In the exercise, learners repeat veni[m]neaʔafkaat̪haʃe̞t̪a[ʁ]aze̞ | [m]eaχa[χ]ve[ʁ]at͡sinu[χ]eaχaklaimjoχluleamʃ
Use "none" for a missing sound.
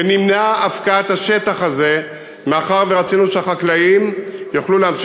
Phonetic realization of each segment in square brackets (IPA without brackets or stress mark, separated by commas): m, χ, m, ʁ, ʁ, ʃ